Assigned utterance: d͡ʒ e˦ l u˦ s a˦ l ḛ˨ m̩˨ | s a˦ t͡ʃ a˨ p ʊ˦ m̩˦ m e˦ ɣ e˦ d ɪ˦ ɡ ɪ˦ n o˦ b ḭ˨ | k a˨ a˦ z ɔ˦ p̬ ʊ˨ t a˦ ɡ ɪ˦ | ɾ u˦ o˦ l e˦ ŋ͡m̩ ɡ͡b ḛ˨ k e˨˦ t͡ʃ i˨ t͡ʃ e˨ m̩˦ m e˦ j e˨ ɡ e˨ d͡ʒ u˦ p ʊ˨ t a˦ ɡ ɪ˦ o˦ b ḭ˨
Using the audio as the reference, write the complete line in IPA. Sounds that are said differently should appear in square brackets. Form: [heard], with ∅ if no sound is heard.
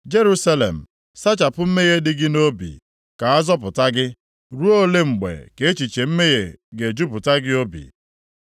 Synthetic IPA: d͡ʒ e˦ [ɾ] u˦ s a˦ l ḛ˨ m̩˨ | s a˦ t͡ʃ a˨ p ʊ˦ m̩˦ m e˦ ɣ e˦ d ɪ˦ ɡ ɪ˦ n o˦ b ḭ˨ | k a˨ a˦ z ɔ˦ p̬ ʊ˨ t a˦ ɡ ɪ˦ | ɾ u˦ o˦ l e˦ ŋ͡m̩ ɡ͡b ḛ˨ k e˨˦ t͡ʃ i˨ t͡ʃ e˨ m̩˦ m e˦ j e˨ ɡ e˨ d͡ʒ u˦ p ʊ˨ t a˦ ɡ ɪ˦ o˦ b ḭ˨

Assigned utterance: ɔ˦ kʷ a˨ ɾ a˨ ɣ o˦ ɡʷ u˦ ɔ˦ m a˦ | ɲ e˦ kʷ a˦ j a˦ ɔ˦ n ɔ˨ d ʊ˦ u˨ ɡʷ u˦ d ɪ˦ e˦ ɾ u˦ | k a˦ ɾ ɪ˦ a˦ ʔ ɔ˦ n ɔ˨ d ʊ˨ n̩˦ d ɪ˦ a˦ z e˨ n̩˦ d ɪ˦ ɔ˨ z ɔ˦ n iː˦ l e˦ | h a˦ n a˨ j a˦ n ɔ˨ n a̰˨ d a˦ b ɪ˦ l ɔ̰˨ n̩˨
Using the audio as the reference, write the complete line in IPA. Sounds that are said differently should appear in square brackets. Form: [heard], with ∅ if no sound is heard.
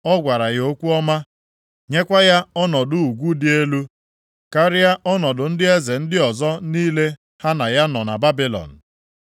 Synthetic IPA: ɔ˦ [ɡʷ] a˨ ɾ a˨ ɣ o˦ [kʷ] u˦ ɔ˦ m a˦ | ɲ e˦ kʷ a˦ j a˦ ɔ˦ n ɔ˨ d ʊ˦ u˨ ɡʷ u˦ d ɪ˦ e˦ [l] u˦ | k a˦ ɾ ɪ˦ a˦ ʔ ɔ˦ n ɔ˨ d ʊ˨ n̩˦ d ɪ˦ [e˦] z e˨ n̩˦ d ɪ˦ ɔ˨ z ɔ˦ n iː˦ l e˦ | h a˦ n a˨ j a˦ n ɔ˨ n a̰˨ [b] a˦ b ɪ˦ l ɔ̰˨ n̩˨

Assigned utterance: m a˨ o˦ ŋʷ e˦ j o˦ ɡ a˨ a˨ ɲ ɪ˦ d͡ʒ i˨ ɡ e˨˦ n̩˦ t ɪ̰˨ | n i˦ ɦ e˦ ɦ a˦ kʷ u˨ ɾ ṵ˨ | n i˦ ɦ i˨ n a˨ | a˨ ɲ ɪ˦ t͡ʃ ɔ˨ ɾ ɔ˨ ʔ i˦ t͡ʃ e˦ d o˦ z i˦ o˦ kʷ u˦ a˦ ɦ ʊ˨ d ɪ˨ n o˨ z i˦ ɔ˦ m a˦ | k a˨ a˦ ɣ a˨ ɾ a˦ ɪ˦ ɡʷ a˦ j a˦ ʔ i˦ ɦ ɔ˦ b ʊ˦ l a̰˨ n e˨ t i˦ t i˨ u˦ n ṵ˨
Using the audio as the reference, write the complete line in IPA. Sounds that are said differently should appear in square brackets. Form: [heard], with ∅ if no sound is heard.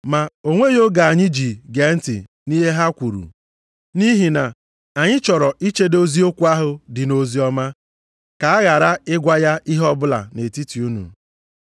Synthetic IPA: m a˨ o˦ ŋʷ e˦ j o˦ ɡ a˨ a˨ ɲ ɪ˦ d͡ʒ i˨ ɡ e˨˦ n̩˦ t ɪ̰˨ | n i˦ ɦ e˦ ɦ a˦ kʷ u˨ ɾ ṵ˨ | n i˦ ɦ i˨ n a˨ | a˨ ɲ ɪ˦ t͡ʃ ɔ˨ ɾ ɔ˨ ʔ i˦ t͡ʃ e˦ d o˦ z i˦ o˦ kʷ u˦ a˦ ɦ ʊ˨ d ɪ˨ n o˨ z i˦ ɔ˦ m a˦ | k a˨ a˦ ɣ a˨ ɾ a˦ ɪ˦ ɡʷ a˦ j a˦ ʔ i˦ ɦ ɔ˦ b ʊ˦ l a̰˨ n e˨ t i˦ t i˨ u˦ n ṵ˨

